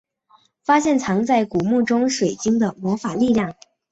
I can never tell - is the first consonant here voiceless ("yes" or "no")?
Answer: yes